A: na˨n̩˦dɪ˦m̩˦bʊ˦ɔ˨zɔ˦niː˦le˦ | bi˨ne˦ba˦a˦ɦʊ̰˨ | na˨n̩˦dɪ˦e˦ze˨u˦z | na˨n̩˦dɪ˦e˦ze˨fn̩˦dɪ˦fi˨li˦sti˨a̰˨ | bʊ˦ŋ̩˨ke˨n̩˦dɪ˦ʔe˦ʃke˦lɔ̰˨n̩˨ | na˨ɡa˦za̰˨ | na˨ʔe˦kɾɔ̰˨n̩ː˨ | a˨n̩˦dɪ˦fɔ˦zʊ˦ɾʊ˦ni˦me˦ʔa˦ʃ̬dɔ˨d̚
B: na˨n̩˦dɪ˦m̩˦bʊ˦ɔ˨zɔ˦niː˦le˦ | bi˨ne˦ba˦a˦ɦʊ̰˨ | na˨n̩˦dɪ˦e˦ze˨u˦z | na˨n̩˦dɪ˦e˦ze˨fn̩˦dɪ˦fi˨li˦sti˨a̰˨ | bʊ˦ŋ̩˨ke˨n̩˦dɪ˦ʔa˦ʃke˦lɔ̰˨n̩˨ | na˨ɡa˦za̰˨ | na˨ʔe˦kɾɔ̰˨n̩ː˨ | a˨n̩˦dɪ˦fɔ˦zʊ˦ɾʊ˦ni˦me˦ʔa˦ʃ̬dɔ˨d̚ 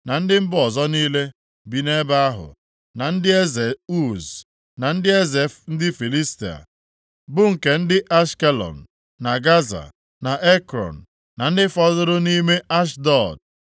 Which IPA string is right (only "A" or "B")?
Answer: B